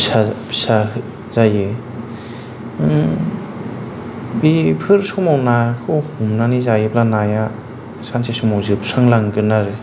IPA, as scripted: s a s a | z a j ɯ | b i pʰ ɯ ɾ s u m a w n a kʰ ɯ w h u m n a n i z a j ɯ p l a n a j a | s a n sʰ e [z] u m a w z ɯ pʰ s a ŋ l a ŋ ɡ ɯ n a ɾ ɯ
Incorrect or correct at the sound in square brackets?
incorrect: s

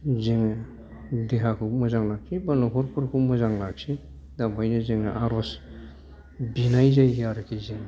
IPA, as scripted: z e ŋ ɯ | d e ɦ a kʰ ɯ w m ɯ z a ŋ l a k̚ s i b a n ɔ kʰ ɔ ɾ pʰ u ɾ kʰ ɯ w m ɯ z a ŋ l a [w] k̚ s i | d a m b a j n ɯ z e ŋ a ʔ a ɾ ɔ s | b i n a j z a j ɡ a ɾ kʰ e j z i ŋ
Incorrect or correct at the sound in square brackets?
incorrect: none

